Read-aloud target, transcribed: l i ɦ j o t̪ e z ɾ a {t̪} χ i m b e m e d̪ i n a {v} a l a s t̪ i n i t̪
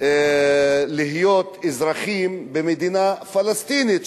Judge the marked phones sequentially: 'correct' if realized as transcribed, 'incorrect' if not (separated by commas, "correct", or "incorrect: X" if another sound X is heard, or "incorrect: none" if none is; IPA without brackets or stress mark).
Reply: incorrect: none, incorrect: f